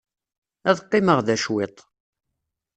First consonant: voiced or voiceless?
voiced